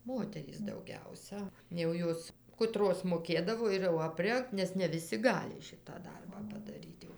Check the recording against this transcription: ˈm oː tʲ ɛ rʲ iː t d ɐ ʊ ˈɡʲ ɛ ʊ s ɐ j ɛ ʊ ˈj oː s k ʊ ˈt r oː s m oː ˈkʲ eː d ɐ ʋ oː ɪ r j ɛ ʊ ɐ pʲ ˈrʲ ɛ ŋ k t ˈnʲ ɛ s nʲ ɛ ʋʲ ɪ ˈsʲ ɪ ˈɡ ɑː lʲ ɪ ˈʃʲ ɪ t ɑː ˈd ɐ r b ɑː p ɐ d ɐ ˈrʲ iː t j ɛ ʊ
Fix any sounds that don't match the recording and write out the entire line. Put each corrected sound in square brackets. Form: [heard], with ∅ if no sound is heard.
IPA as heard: ˈm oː tʲ ɛ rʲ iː [s] d ɐ ʊ ˈɡʲ ɛ ʊ s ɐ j ɛ ʊ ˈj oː s k ʊ ˈt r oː s m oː ˈkʲ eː d ɐ ʋ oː ɪ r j ɛ ʊ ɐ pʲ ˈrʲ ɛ ŋ k t ˈnʲ ɛ s nʲ ɛ ʋʲ ɪ ˈsʲ ɪ ˈɡ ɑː lʲ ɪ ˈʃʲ ɪ t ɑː ˈd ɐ r b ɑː p ɐ d ɐ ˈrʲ iː t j ɛ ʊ